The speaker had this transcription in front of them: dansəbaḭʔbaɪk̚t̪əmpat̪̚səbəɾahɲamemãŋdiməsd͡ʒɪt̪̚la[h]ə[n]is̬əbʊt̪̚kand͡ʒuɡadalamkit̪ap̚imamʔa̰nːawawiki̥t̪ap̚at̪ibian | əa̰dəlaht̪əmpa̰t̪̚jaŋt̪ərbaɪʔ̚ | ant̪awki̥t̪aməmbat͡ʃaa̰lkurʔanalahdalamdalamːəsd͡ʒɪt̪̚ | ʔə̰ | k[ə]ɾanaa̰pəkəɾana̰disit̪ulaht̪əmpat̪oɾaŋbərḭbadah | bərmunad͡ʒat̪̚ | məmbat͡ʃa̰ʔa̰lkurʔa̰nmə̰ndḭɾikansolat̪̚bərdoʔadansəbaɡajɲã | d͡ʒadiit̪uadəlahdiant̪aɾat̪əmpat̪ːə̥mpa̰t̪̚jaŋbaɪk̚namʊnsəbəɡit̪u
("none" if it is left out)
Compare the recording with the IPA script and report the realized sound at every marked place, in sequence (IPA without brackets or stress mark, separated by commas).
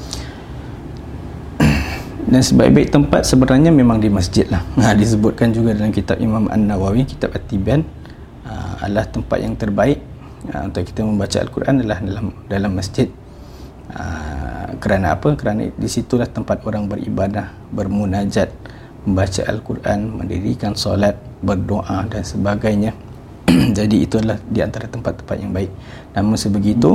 h, d, ə